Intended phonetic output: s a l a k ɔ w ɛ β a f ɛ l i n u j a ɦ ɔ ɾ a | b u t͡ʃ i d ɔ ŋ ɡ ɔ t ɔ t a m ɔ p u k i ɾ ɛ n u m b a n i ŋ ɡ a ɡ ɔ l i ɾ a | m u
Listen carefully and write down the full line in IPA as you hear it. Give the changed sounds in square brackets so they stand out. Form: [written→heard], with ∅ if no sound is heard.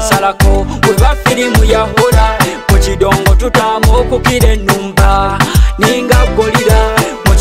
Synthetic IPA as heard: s a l a k ɔ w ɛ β a f [ɛ→i] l i [n→m] u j a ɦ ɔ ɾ a | [b→m] u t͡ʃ i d ɔ ŋ ɡ ɔ t [ɔ→u] t a m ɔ [p→k] u k i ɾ ɛ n u m b a n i ŋ ɡ a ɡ ɔ l i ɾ a | m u